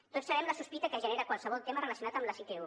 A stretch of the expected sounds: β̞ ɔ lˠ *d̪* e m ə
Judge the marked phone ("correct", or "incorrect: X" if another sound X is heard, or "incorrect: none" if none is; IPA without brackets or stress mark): incorrect: t̪